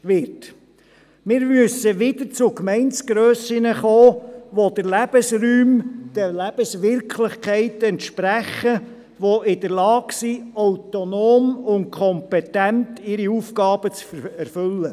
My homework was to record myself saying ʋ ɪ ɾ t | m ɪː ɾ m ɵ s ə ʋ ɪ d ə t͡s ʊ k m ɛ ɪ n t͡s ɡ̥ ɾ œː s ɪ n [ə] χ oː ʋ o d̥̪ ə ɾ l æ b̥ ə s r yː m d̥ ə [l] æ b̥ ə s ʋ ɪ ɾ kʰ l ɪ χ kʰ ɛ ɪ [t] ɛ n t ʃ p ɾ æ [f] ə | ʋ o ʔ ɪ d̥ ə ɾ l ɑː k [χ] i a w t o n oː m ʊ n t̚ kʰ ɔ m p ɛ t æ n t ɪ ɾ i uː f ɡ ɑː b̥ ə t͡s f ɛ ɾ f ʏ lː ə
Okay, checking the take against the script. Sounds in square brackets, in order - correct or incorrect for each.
correct, correct, correct, incorrect, incorrect

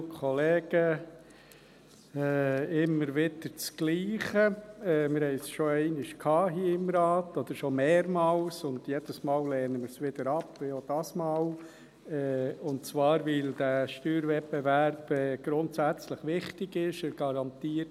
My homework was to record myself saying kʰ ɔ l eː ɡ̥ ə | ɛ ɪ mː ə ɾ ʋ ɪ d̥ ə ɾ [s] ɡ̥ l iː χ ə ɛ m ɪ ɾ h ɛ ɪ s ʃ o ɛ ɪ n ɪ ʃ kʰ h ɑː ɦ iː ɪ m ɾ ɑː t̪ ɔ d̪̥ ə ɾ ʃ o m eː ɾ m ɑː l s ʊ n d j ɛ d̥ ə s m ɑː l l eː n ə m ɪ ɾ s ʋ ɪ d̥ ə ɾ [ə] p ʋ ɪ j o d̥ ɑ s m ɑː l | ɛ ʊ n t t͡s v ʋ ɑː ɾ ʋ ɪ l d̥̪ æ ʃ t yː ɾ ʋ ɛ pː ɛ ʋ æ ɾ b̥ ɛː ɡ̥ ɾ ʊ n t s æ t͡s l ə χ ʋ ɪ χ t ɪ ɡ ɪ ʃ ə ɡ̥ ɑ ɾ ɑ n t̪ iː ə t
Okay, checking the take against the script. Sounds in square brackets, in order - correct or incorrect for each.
incorrect, incorrect

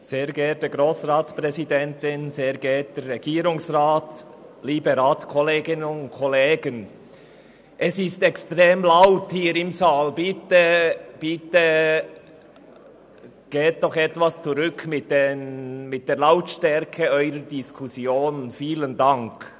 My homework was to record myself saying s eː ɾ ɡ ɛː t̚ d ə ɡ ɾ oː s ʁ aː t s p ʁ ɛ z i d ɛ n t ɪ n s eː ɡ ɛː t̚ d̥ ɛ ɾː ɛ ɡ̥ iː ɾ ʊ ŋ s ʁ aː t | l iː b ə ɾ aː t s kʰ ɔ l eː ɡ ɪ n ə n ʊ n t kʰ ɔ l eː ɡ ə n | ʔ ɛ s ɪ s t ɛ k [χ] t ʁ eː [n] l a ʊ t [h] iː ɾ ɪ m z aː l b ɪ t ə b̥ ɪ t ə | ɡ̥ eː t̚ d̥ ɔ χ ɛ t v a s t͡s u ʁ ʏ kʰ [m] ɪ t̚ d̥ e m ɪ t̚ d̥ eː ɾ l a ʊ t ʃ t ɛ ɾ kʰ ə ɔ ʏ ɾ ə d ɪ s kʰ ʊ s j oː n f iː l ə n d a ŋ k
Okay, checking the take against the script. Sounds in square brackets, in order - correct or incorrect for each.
incorrect, incorrect, correct, correct

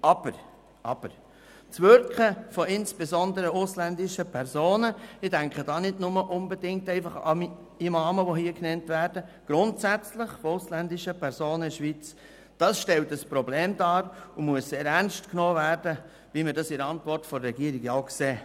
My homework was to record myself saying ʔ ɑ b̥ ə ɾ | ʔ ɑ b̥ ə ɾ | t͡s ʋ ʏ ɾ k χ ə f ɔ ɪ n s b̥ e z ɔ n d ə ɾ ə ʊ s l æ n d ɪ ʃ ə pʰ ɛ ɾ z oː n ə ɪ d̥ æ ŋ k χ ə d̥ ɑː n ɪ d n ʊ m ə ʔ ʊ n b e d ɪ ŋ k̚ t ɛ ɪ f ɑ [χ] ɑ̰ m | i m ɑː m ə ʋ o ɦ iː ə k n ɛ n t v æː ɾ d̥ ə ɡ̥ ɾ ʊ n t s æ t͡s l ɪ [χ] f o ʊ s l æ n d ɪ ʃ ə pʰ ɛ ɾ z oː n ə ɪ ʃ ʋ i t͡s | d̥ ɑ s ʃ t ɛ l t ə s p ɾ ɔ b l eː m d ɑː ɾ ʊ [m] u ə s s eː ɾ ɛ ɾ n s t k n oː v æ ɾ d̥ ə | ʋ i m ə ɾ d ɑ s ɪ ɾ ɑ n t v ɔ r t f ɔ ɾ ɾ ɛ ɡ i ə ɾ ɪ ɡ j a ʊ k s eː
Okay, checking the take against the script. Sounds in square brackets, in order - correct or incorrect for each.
correct, correct, correct

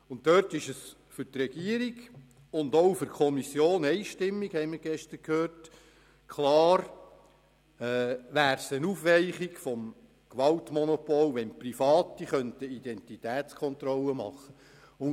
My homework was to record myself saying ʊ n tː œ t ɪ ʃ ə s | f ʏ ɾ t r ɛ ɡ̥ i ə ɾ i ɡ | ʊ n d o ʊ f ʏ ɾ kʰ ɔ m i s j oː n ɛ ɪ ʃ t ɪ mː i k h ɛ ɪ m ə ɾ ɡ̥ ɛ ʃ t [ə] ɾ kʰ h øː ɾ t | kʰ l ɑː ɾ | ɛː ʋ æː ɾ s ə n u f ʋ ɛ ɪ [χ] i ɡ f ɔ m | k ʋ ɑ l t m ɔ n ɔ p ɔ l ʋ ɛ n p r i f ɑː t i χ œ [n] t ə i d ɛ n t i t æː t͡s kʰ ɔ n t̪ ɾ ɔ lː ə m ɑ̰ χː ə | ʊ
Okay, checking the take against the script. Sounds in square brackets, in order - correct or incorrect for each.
correct, correct, correct

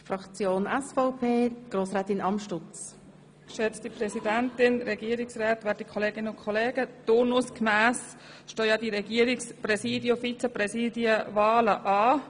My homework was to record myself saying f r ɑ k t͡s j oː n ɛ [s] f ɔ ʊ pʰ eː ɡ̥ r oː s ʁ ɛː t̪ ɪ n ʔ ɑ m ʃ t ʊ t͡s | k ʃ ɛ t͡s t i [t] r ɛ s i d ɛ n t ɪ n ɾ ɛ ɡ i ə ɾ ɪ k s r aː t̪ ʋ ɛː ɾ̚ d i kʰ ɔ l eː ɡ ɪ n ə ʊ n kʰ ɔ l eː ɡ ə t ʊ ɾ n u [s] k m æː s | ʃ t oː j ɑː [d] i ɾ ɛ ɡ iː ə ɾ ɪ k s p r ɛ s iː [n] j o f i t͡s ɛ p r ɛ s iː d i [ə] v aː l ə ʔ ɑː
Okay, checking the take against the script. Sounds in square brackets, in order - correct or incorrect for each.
correct, incorrect, correct, correct, incorrect, correct

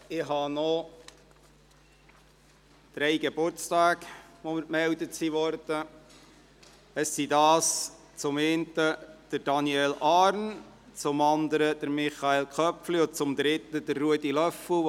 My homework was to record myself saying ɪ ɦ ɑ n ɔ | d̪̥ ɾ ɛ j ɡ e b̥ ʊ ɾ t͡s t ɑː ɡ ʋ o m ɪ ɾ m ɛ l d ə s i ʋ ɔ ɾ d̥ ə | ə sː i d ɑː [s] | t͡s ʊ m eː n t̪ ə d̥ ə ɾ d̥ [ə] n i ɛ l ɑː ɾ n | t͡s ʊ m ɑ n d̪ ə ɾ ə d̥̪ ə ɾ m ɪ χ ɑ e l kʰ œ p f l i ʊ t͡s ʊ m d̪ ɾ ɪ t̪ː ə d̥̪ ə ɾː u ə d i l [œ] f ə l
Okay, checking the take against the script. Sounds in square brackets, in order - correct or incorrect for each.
correct, incorrect, correct

